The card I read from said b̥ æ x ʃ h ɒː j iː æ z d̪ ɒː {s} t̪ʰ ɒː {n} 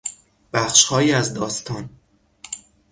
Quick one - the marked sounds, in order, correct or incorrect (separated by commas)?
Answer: correct, correct